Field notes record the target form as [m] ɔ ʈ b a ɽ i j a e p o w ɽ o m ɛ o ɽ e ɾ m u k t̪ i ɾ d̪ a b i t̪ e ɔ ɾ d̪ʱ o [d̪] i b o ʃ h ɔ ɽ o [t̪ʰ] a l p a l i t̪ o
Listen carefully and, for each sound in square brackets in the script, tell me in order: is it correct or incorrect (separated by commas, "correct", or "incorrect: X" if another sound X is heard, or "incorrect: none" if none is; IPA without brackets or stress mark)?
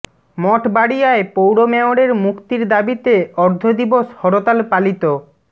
correct, correct, incorrect: t̪